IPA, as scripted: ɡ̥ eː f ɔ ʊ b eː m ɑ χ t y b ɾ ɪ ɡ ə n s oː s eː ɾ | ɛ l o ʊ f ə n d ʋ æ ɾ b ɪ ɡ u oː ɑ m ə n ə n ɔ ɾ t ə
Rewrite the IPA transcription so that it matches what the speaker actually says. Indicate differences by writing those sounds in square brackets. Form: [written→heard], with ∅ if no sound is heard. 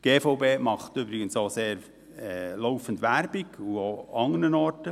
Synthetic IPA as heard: ɡ̥ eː f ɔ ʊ b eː m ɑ χ t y b ɾ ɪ ɡ ə n s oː s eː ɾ | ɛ l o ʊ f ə n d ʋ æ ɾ b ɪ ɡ u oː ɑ [m→ŋ] ə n ə n ɔ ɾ t ə